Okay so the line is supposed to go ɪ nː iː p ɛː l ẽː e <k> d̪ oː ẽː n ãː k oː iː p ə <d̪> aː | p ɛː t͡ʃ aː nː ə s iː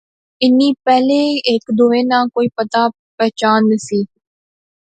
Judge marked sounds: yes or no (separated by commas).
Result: yes, no